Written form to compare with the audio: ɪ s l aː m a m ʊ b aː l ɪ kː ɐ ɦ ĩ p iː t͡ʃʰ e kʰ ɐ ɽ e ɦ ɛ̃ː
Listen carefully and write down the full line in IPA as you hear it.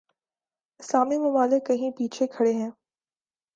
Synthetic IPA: ɪ s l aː m i m ʊ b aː l ɪ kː ɐ ɦ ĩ p iː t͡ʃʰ e kʰ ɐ ɽ e ɦ ɛ̃ː

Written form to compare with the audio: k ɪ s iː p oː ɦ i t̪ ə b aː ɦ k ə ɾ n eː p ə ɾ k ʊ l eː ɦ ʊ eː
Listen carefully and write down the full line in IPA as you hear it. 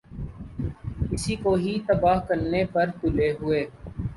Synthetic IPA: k ɪ s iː k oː ɦ i t̪ ə b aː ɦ k ə ɾ n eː p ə ɾ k ʊ l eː ɦ ʊ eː

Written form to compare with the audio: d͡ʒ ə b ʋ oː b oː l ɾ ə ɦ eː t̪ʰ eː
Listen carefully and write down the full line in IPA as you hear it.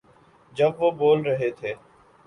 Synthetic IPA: d͡ʒ ə b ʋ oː b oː l ɾ ə ɦ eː t̪ʰ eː

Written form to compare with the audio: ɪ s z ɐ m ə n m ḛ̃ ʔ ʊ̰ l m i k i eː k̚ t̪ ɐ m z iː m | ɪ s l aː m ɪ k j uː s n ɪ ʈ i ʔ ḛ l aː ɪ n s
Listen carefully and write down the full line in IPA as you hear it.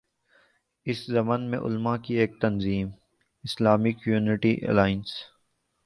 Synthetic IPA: ɪ s z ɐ m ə n m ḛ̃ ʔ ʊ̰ l m a k i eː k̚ t̪ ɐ n z iː m | ɪ s l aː m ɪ k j uː n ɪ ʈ i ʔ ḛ l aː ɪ n s

